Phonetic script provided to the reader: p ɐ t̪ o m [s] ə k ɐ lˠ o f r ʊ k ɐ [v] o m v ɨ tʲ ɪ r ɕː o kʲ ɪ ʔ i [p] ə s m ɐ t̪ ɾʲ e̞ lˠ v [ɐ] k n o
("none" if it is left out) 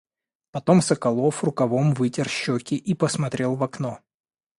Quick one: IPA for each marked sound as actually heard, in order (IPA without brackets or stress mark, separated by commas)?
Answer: s, v, p, ɐ